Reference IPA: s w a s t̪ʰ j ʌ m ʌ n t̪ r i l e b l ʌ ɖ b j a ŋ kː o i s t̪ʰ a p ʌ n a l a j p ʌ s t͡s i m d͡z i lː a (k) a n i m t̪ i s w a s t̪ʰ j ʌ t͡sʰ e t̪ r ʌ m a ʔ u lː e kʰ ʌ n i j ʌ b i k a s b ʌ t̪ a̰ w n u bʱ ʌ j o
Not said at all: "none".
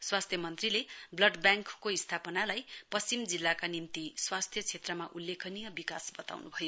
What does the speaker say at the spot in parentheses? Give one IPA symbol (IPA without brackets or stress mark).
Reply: k